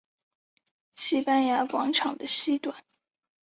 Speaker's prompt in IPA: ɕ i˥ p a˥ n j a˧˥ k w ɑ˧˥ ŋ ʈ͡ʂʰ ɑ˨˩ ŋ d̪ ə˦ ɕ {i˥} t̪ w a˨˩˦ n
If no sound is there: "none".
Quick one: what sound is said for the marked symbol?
i˥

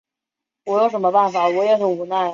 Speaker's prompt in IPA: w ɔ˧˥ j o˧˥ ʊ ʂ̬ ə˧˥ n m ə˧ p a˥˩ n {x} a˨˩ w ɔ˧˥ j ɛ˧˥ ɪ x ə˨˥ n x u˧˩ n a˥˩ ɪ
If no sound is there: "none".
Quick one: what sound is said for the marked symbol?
f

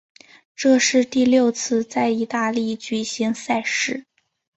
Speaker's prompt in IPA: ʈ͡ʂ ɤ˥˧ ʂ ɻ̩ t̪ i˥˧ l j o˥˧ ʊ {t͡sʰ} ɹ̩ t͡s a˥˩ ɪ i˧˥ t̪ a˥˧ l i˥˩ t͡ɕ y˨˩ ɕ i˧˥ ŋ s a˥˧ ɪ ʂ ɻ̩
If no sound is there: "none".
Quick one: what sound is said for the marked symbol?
t͡sʰ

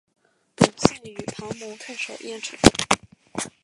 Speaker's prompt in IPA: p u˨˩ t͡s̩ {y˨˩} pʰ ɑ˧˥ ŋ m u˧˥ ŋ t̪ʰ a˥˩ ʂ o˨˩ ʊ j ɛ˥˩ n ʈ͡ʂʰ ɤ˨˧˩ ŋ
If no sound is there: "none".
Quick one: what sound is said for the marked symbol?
y˨˩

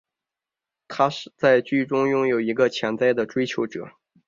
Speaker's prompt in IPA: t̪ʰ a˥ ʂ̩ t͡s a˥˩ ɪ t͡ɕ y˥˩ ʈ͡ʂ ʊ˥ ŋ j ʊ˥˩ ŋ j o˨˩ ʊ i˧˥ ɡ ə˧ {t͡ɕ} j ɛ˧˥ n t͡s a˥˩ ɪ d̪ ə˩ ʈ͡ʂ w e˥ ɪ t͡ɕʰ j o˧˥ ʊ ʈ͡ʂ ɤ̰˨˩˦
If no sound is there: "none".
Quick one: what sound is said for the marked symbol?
t͡ɕʰ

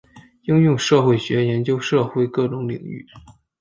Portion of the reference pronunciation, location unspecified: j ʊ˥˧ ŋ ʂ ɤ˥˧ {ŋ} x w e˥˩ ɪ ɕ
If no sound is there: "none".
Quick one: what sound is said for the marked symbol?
none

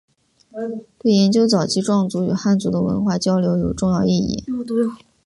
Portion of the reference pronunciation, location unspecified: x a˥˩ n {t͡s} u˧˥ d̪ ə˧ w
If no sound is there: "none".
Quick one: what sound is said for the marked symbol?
t͡s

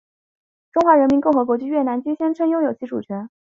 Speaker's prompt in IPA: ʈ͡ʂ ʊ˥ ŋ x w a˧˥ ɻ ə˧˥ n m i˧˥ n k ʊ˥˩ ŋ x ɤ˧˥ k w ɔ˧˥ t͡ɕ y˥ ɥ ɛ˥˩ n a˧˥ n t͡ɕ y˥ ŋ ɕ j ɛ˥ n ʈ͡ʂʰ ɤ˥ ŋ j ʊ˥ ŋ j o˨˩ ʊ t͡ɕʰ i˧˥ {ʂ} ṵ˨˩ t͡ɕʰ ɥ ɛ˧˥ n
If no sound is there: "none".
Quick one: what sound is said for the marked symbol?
ʈ͡ʂ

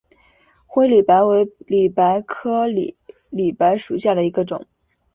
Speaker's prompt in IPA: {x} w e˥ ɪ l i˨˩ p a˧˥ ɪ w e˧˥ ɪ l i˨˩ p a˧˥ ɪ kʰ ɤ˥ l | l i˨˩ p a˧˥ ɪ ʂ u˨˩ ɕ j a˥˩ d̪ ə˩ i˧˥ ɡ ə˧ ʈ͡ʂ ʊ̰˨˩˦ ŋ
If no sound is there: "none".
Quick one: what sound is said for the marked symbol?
x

